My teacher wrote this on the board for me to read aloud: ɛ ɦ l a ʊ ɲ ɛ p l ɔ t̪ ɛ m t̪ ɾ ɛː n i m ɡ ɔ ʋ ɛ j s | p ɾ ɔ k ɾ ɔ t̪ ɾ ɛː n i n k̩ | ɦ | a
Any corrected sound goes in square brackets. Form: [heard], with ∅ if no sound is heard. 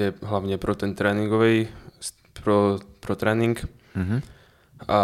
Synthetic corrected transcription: ɛ ɦ l a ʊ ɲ ɛ p [ɾ] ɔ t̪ ɛ [n] t̪ ɾ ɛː n i [ŋ] ɡ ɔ ʋ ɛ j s | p ɾ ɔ [p] ɾ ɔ t̪ ɾ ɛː n i [ŋ] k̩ | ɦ | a